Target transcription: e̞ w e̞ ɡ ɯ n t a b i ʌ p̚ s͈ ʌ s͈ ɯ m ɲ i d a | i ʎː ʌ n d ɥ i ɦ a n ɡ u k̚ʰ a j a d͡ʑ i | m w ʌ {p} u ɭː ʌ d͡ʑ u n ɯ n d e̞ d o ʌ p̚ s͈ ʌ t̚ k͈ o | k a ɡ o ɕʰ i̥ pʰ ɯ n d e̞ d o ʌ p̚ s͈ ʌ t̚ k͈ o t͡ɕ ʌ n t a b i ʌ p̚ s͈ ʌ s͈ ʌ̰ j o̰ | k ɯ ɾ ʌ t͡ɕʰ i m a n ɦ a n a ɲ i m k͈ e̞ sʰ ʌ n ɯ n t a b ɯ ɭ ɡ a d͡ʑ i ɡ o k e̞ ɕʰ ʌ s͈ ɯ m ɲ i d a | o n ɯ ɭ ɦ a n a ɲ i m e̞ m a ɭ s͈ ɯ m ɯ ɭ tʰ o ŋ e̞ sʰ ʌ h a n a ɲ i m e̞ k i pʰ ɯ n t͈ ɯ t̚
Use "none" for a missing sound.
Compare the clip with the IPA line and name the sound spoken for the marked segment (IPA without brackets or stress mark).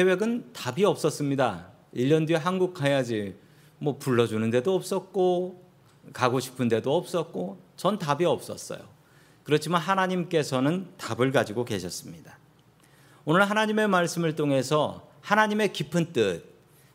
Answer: p